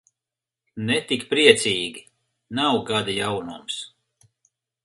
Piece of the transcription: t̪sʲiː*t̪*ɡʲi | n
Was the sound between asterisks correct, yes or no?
no